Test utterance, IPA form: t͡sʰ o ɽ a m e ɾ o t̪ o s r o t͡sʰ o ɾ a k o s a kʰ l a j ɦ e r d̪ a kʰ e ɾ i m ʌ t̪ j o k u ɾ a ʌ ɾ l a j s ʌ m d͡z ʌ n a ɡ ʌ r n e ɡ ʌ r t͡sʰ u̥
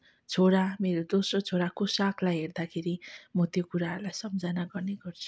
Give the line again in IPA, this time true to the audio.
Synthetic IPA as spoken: t͡sʰ o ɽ a m e ɾ o d̪ o s r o t͡sʰ o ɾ a k o s a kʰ l a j ɦ e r d̪ a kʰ e ɾ i m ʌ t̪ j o k u ɾ a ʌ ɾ l a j s ʌ m d͡z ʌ n a ɡ ʌ r n e ɡ ʌ r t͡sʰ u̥